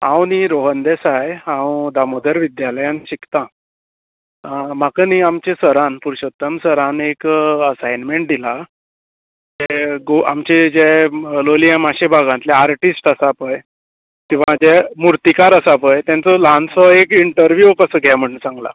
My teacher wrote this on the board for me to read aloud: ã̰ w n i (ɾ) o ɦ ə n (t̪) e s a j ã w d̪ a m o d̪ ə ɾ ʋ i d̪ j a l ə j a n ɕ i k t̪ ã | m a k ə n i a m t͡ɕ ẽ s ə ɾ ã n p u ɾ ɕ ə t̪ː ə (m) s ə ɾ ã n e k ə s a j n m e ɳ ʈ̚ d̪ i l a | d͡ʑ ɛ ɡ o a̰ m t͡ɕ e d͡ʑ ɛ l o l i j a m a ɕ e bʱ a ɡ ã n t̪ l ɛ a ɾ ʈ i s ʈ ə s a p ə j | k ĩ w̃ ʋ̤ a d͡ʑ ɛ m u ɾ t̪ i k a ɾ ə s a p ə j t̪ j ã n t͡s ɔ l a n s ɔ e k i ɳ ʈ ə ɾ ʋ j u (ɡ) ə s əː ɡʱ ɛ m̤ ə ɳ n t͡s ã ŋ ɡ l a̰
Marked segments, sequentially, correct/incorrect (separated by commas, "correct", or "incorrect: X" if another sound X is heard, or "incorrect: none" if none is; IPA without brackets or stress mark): correct, incorrect: d̪, correct, incorrect: k